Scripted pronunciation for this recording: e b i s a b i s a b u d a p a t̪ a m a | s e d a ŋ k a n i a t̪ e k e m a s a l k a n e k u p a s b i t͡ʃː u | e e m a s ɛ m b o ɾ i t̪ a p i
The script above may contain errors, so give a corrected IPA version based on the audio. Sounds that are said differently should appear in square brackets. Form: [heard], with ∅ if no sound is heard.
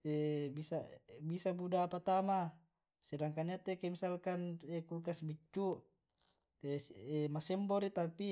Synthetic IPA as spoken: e b i s a b i s a b u d a p a t̪ a m a | s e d a ŋ k a n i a t̪ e k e m [i] s a l k a n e k u [k] a s b i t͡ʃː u | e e m a s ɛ m b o ɾ i t̪ a p i